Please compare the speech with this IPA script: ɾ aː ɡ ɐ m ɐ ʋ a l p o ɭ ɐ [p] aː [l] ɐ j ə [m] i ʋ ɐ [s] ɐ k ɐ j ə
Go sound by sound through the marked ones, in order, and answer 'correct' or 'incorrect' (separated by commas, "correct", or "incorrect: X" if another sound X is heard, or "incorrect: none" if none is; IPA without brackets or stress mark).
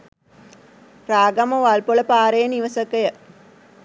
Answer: correct, incorrect: ɾ, incorrect: n, correct